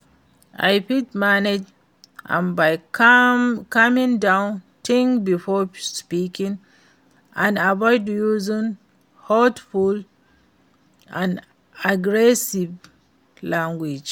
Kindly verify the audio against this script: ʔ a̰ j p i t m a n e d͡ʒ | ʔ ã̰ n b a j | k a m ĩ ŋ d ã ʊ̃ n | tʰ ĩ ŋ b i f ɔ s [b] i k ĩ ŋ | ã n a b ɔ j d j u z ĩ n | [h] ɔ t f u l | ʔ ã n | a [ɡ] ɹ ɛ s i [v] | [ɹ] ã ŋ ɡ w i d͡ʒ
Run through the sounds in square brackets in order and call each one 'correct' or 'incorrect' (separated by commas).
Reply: incorrect, correct, correct, correct, incorrect